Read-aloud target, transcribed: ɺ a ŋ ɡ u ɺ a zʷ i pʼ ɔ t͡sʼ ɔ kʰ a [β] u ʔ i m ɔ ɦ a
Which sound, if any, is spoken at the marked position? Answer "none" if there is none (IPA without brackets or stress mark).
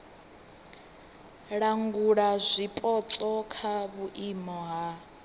β